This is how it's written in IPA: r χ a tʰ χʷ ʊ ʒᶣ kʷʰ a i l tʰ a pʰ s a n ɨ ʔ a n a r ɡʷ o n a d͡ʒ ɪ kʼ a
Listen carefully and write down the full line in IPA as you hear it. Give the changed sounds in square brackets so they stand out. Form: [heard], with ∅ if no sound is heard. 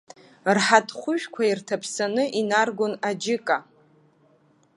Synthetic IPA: r [ħ] a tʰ χʷ ʊ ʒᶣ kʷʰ a i [r] tʰ a pʰ s a n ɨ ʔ [i] n a r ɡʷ o n a d͡ʒ ɪ kʼ a